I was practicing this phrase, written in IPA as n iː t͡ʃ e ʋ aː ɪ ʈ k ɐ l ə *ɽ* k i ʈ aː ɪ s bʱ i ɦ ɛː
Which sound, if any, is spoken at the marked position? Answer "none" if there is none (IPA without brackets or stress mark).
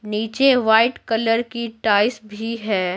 ɾ